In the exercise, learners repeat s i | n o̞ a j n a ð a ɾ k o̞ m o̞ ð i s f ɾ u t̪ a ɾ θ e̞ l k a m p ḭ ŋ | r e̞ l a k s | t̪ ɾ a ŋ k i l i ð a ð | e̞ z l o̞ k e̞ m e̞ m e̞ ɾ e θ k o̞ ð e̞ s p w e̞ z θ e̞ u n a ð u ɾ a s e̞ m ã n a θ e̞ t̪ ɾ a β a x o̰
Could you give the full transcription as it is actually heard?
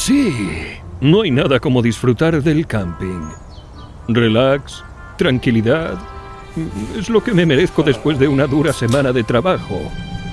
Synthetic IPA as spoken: s i | n o̞ a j n a ð a k o̞ m o̞ ð i s f ɾ u t̪ a ɾ ð e̞ l k a m p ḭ ŋ | r e̞ l a k s | t̪ ɾ a ŋ k i l i ð a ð | e̞ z l o̞ k e̞ m e̞ m e̞ ɾ e θ k o̞ ð e̞ s p w e̞ z ð e̞ u n a ð u ɾ a s e̞ m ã n a ð e̞ t̪ ɾ a β a x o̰